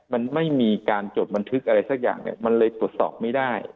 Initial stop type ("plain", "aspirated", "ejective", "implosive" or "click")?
plain